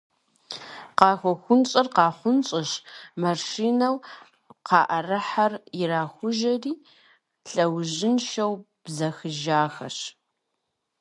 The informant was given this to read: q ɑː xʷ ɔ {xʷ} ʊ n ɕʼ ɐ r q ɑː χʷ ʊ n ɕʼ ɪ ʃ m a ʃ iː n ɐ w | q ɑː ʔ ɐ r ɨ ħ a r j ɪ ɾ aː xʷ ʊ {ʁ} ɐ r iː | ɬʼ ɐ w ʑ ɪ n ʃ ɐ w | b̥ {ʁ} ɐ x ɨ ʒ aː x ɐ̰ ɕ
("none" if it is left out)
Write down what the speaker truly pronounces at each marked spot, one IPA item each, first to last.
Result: xʷ, ʒ, z

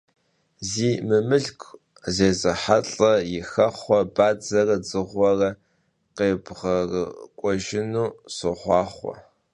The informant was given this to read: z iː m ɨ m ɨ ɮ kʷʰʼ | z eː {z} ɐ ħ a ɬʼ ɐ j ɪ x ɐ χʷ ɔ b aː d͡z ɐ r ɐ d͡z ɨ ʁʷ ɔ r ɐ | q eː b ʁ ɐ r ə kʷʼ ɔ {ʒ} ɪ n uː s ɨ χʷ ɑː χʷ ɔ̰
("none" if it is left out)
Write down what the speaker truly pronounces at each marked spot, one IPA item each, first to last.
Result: z, ʒ

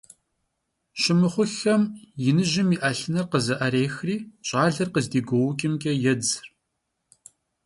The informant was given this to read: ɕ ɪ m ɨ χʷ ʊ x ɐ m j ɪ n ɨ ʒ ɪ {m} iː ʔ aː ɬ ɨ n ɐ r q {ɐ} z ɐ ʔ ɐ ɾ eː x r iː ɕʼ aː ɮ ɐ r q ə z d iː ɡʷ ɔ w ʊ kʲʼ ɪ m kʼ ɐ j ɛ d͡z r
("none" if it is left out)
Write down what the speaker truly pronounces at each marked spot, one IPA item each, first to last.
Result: m, ə

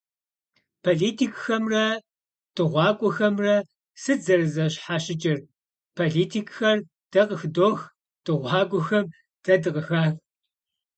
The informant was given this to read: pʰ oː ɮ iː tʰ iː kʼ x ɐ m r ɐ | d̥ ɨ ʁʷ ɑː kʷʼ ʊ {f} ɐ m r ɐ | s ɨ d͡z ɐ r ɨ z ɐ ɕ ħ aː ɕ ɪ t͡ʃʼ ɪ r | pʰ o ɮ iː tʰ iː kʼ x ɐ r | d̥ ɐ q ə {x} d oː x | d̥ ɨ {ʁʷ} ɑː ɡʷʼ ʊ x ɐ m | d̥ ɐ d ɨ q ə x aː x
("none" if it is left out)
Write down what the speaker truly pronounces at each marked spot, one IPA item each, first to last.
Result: x, x, ʁʷ

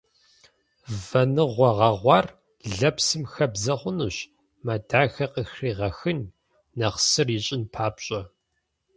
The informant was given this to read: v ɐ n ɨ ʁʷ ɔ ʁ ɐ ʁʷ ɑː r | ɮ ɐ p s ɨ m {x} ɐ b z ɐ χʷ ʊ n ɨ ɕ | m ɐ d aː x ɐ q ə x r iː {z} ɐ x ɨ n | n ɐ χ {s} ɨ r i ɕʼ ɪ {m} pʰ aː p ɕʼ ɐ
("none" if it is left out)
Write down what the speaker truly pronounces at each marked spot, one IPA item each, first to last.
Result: x, ʁ, s, n

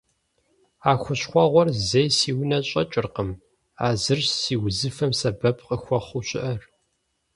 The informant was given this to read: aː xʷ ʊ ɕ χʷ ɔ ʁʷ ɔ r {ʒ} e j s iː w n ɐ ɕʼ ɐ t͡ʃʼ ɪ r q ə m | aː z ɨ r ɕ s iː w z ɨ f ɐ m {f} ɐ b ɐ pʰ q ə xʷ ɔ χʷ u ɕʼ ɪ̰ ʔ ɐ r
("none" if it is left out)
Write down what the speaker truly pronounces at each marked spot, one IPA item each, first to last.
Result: z, s

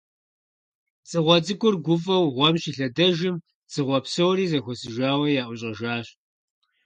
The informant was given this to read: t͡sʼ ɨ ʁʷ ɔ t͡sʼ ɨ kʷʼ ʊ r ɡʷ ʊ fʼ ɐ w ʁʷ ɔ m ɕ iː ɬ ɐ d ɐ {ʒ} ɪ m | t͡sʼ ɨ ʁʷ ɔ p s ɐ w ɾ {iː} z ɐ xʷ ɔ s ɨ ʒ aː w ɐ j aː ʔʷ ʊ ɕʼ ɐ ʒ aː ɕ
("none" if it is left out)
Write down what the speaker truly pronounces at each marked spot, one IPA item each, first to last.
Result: ʒ, iː

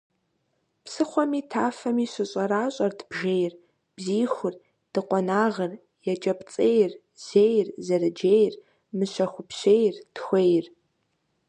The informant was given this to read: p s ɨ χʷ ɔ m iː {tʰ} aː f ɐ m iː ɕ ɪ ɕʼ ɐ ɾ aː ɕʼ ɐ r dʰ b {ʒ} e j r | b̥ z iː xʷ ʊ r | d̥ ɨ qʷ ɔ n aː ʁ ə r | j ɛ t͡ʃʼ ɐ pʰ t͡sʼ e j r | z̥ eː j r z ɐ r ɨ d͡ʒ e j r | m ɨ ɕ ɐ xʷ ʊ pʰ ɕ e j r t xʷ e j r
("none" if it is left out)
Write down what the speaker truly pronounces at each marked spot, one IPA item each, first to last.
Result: tʰ, ʒ

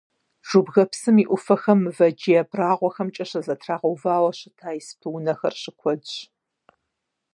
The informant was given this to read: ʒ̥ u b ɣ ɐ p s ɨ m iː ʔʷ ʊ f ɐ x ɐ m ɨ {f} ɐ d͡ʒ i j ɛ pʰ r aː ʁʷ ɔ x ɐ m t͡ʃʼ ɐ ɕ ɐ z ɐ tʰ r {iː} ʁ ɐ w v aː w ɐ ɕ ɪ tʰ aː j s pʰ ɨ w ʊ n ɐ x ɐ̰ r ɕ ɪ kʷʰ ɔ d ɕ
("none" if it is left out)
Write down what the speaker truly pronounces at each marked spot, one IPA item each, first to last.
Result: v, aː

